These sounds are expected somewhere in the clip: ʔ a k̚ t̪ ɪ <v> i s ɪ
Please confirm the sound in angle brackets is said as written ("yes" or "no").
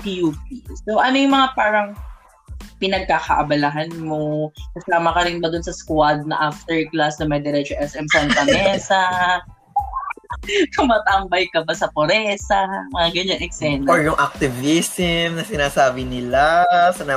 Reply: yes